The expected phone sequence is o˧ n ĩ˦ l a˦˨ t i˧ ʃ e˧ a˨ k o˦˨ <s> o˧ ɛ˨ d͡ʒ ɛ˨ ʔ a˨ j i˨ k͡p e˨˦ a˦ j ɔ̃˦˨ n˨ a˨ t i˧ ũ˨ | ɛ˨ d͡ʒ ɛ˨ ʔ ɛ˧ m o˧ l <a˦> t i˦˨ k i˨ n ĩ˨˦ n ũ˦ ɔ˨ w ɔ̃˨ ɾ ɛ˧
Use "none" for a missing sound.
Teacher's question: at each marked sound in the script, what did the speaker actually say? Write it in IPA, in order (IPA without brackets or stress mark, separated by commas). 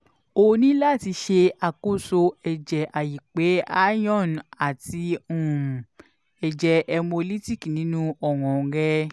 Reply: s, i˦